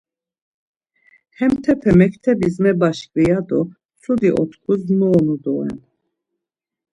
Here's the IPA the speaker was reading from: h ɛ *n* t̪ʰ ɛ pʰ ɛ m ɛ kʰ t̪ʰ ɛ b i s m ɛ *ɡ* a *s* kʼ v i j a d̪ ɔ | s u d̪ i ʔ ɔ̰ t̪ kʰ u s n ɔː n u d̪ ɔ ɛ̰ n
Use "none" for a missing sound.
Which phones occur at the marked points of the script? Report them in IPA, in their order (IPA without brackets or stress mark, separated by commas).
m, b, ʃ